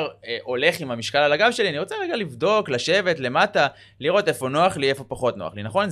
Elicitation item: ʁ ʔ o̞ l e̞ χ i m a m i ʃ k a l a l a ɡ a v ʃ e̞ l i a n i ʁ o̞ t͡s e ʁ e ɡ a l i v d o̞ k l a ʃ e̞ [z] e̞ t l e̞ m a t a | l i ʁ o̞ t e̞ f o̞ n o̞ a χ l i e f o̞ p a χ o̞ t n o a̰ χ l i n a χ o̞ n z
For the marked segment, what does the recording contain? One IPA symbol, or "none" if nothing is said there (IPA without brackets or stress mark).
v